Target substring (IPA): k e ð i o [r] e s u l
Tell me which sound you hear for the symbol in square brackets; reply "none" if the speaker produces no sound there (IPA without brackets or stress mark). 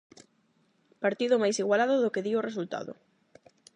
r